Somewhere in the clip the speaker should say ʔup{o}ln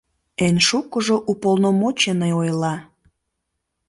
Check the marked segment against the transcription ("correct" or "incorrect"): correct